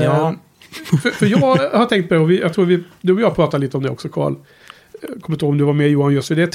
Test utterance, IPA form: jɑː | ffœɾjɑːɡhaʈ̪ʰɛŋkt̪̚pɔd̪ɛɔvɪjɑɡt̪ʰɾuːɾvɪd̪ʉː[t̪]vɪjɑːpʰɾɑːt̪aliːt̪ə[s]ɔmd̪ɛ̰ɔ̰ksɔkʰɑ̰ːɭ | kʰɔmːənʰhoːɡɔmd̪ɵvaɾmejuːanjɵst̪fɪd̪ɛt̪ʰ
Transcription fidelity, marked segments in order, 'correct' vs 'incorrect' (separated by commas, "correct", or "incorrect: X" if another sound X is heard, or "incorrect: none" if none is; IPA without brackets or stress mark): incorrect: none, incorrect: none